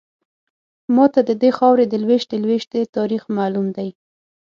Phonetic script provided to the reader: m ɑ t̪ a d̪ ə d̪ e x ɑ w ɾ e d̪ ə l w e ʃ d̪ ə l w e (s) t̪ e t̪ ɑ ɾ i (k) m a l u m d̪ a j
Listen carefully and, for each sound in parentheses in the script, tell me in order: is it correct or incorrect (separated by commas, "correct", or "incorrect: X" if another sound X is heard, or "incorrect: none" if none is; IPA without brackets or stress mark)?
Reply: incorrect: ʃ, incorrect: x